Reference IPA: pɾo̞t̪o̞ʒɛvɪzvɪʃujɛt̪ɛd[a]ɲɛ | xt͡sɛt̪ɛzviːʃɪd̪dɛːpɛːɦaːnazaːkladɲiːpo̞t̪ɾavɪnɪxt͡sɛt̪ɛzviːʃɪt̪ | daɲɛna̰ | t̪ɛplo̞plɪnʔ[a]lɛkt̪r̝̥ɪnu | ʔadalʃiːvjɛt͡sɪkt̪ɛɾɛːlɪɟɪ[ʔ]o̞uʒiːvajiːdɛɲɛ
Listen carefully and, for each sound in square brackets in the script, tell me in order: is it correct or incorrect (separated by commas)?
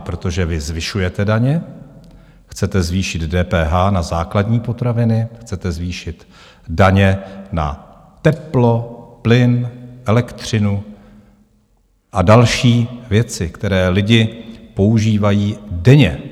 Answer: correct, incorrect, incorrect